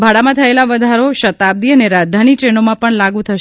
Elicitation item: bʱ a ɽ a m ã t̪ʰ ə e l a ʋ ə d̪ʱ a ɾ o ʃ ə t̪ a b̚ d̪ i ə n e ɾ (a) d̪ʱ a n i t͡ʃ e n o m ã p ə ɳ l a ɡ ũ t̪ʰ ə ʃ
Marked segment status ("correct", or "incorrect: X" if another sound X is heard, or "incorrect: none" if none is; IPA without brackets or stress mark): correct